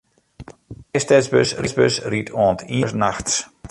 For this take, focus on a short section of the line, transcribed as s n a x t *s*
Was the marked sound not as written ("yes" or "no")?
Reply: no